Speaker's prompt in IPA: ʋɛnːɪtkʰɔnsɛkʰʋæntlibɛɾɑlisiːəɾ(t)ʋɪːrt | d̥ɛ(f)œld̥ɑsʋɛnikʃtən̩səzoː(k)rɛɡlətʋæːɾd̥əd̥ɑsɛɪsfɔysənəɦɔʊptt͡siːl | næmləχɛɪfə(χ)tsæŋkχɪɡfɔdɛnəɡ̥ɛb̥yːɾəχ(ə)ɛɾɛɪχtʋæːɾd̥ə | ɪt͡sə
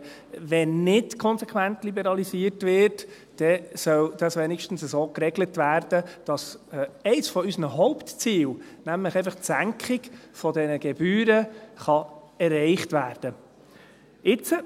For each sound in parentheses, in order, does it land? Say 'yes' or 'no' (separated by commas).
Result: yes, no, yes, yes, no